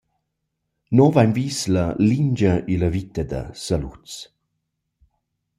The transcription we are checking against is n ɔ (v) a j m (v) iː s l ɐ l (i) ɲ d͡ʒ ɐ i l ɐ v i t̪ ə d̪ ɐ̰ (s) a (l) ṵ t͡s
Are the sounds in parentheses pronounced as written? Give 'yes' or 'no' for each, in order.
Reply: yes, yes, yes, yes, yes

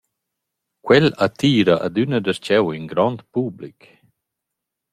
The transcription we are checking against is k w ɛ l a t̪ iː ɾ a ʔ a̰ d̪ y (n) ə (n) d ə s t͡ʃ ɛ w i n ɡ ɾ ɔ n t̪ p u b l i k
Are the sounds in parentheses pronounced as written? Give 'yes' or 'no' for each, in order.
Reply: yes, no

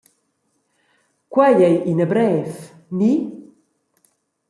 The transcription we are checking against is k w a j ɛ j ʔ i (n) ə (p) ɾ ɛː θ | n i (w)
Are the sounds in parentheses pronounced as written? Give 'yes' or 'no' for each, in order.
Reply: yes, no, no

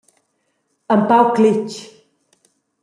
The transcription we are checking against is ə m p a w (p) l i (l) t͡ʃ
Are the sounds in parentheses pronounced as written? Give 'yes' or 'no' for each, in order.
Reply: no, no

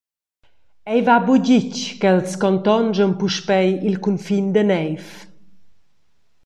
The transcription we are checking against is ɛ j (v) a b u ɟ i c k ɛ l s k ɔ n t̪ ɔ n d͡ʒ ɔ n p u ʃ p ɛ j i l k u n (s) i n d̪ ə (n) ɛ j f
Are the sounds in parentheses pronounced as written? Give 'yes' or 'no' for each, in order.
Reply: yes, no, yes

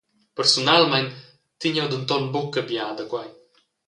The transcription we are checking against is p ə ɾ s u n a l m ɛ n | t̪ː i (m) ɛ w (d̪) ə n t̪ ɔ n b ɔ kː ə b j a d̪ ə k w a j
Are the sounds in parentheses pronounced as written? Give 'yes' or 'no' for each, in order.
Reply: no, yes

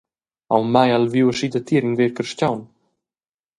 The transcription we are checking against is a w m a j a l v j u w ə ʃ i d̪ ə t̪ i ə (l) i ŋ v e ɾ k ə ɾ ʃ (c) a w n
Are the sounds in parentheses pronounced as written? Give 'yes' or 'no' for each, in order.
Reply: no, yes

